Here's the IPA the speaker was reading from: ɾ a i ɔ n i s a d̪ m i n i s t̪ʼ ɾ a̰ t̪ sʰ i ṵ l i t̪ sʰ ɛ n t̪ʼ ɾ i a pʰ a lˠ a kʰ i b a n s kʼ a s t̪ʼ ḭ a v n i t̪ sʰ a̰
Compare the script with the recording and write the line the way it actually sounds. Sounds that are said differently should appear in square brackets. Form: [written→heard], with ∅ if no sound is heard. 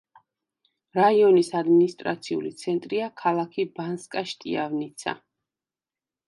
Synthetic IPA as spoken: ɾ a i ɔ n i s a d̪ m i n i s t̪ʼ ɾ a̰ t̪ sʰ i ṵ l i t̪ sʰ ɛ n t̪ʼ ɾ i a [pʰ→kʰ] a lˠ a kʰ i b a n s kʼ a [s→ʃ] t̪ʼ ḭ a v n i t̪ sʰ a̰